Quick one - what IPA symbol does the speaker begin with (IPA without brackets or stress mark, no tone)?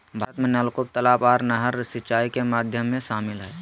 bʱ